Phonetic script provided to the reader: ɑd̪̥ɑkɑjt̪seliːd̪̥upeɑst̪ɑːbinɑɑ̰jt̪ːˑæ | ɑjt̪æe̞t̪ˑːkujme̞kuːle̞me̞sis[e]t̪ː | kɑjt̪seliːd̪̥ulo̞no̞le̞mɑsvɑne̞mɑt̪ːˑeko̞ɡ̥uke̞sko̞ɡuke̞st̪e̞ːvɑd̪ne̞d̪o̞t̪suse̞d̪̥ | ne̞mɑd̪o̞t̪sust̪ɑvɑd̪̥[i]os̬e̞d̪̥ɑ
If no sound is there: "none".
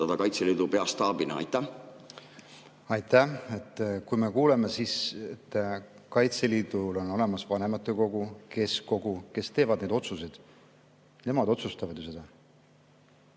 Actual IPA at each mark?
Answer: e, j

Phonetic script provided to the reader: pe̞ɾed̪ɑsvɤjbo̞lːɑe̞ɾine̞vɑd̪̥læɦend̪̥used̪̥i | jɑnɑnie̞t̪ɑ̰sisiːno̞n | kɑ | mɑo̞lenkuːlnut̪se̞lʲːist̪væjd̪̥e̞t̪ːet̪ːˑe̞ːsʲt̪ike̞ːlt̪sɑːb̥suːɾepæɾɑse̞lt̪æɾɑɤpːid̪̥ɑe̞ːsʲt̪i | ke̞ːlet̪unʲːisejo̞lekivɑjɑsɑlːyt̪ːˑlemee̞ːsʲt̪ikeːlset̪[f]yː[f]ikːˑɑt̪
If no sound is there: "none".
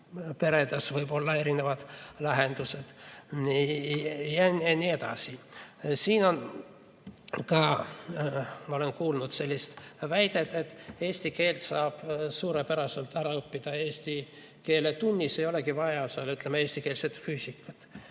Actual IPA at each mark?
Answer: f, s

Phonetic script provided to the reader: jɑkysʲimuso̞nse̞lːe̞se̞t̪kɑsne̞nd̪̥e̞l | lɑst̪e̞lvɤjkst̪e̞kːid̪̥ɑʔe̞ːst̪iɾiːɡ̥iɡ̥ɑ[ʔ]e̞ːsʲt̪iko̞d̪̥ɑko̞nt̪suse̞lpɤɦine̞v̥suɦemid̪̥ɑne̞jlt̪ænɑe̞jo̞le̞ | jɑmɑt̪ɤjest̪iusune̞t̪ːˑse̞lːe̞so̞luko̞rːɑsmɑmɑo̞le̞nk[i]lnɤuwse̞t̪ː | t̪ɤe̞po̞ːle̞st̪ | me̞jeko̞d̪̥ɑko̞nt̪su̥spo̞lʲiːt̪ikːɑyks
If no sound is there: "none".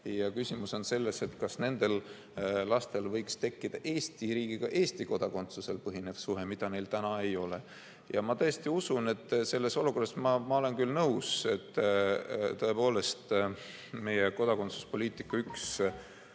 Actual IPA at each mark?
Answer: ʔ, y

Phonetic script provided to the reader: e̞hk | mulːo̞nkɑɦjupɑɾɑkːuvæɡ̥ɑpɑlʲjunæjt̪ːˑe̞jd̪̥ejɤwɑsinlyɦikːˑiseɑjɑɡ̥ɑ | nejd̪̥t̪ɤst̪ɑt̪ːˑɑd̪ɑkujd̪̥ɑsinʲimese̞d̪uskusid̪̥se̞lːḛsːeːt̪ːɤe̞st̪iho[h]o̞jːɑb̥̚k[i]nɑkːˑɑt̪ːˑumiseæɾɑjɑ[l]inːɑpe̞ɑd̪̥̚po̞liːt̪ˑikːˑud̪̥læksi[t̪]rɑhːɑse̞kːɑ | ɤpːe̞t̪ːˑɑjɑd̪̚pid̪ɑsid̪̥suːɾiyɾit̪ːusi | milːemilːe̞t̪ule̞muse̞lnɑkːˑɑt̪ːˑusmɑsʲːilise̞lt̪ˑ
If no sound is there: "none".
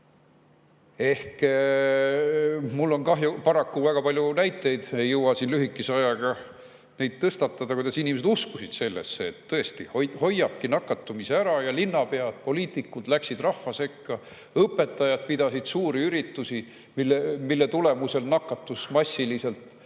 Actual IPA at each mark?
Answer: h, i, l, d̪

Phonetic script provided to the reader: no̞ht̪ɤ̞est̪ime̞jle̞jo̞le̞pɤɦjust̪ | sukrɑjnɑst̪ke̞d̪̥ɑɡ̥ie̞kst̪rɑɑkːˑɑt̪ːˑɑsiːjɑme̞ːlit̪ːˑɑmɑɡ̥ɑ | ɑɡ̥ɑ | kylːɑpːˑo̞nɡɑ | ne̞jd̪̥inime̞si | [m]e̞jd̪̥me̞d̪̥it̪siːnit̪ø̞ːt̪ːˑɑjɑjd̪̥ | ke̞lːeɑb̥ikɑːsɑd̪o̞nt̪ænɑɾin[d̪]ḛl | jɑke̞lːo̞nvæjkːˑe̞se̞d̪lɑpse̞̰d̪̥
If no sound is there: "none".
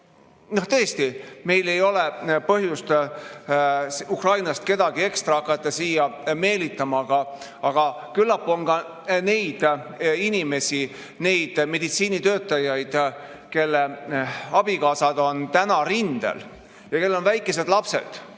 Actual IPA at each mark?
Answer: n, d̪

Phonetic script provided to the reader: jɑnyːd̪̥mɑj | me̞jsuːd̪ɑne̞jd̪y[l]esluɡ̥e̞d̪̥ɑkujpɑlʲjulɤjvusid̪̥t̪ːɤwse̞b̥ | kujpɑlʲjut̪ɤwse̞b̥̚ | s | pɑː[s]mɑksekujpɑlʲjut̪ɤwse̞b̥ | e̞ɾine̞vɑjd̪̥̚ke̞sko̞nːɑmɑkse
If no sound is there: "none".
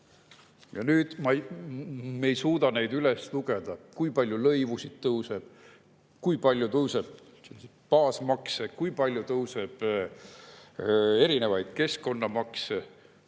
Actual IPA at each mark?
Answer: l, s

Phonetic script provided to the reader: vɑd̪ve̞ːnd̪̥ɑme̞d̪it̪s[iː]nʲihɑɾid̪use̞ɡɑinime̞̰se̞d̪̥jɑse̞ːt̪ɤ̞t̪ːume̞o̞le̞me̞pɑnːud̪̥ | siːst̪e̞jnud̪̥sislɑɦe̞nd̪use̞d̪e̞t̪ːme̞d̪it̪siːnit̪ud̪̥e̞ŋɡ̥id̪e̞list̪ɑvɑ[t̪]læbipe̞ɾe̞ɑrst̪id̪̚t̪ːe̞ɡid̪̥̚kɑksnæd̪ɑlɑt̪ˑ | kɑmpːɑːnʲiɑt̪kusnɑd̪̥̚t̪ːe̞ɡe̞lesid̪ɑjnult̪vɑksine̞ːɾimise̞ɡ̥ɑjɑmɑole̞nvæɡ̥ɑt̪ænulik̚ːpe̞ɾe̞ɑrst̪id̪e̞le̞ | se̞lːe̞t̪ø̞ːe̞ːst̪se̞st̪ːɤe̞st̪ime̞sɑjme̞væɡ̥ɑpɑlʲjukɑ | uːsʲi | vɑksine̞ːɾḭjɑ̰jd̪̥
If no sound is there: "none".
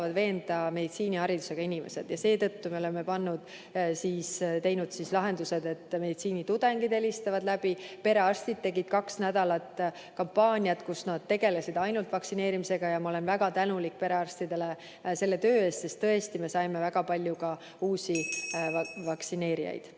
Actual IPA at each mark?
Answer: iː, d̪

